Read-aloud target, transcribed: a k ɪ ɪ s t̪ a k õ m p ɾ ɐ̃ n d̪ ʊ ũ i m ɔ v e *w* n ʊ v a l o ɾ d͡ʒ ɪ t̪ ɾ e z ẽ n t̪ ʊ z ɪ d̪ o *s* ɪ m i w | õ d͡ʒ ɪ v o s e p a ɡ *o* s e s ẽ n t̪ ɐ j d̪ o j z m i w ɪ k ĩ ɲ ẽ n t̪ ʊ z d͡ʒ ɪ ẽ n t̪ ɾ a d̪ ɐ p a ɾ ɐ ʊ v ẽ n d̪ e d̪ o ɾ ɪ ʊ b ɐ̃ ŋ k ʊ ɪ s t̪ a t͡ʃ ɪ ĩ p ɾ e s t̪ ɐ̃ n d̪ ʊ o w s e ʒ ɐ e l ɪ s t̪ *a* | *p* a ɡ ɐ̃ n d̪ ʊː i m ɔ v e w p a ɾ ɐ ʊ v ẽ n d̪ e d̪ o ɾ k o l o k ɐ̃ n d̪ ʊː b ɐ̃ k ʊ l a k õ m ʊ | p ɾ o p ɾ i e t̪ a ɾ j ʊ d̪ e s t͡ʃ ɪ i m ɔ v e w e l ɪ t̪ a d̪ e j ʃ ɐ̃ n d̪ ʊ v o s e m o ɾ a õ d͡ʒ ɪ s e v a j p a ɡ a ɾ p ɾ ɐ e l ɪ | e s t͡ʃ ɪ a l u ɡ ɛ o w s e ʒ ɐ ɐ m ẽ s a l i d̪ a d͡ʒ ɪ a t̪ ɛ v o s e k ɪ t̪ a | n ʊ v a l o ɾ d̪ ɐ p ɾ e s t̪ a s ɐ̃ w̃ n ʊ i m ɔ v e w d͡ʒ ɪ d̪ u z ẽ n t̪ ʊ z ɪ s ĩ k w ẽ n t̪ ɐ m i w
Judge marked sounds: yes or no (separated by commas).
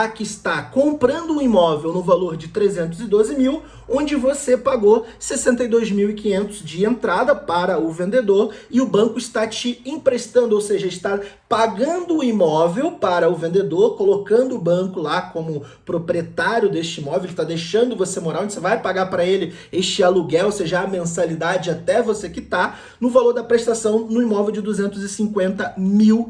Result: yes, no, yes, yes, yes